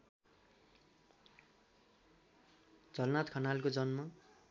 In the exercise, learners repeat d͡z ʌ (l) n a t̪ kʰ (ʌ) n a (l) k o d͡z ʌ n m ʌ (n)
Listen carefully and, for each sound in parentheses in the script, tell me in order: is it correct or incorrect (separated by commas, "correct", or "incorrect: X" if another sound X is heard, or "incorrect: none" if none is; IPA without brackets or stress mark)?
correct, correct, correct, incorrect: none